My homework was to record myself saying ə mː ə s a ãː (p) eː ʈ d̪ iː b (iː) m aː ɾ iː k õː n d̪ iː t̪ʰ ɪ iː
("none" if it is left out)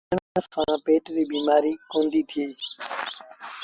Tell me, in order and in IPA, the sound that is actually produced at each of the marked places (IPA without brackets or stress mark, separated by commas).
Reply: p, iː